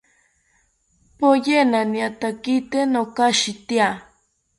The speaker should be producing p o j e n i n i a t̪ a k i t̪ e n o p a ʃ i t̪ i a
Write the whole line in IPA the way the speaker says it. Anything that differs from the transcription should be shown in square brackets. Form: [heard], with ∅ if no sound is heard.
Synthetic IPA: p o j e n [a] n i a t̪ a k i t̪ e n o [k] a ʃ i t̪ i a